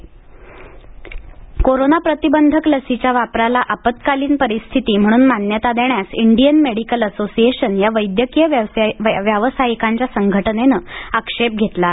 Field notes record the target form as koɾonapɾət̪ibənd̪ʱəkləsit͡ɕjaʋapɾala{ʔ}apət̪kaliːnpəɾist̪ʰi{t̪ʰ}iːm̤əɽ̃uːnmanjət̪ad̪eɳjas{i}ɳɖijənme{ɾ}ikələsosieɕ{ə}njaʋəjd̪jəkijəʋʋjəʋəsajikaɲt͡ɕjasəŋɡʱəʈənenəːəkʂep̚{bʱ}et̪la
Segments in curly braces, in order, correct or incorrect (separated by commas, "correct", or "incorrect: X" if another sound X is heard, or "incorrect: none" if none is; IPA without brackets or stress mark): correct, incorrect: t̪, correct, incorrect: ɽ, correct, incorrect: ɡʱ